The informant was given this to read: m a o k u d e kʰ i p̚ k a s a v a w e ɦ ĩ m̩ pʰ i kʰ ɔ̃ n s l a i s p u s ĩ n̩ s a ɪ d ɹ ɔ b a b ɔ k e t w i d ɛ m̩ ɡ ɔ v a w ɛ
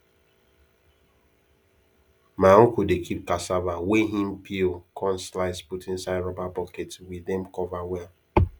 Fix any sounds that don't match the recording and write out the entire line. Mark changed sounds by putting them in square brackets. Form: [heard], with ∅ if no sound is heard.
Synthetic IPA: m a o k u d e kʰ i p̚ k a s a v a w e ɦ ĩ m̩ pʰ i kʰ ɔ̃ n s l a [ɪ] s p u [t] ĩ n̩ s a ɪ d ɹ ɔ b a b ɔ k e t w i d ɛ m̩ [k] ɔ v a w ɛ